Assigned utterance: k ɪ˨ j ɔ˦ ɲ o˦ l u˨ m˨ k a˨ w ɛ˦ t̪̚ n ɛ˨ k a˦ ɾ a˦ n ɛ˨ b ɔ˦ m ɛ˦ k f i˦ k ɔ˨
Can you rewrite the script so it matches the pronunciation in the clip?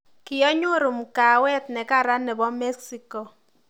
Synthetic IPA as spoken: k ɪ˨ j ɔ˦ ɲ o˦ ɾ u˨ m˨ k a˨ w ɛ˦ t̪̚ n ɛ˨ k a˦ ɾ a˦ n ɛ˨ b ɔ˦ m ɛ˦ k s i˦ k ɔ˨